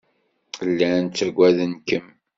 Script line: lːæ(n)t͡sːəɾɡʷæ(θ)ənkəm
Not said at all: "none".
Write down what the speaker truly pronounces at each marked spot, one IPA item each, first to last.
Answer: n, ð

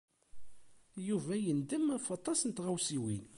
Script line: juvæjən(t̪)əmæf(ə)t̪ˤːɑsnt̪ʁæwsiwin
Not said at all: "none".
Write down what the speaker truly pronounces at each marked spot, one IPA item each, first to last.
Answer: d̪, ɑ

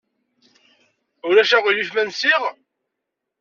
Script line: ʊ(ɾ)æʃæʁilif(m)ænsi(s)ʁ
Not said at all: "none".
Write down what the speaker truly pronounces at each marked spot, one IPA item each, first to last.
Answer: ɾ, m, none

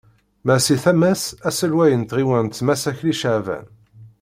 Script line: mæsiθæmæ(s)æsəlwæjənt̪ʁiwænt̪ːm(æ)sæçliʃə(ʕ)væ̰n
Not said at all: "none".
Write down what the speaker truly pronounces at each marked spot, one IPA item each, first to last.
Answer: s, æ, ʕ

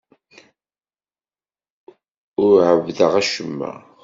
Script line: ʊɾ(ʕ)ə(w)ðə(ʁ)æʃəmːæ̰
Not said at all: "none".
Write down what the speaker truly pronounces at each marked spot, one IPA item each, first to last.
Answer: ʕ, v, ʁ

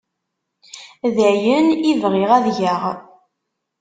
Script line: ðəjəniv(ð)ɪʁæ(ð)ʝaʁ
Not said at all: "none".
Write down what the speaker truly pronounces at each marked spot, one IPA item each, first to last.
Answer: ʁ, ð

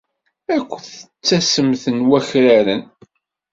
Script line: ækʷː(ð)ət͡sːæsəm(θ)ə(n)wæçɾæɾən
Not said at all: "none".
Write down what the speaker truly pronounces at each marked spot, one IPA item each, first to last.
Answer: θ, θ, n

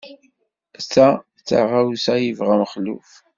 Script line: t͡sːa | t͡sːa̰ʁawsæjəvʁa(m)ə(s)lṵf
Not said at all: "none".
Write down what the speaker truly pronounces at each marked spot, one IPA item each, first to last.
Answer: m, χ

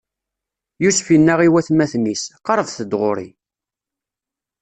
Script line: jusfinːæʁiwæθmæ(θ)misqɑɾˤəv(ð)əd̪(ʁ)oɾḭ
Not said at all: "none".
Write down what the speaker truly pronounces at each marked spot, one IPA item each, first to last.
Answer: θ, θ, ʁ

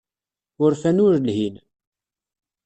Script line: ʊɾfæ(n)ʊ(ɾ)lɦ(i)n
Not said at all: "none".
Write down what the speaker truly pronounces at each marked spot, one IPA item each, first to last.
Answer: n, ɾ, i

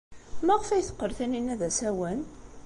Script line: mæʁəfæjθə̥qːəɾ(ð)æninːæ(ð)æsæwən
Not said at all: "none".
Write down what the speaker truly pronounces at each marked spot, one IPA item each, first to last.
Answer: θ, ð

